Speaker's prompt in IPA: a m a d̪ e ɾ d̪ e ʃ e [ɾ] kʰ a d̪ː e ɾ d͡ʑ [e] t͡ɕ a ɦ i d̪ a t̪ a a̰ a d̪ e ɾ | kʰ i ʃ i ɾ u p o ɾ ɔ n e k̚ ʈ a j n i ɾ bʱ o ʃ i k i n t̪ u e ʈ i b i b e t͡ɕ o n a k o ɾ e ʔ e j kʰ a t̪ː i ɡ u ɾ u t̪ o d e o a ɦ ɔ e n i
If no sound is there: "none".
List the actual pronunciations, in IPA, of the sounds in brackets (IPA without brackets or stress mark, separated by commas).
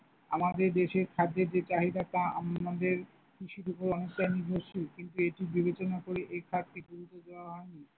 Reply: ɾ, e